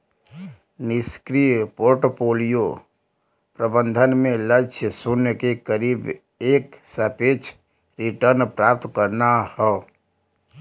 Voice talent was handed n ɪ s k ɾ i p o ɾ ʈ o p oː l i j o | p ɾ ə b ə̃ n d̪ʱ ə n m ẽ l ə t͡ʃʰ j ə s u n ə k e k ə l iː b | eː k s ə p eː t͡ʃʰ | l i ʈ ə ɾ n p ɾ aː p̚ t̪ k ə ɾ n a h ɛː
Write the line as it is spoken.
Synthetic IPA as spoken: n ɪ s k ɾ i p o ɾ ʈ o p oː l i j o | p ɾ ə b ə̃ n d̪ʱ ə n m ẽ l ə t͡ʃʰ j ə s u n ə k e k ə ɾ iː b | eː k s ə p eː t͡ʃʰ | ɾ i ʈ ə ɾ n p ɾ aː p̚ t̪ k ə ɾ n a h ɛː